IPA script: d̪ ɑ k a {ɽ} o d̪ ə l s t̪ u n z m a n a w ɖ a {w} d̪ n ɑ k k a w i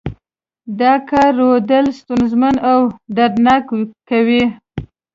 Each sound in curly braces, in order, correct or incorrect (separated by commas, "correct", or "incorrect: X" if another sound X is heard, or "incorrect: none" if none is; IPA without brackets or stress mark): incorrect: ɾ, incorrect: none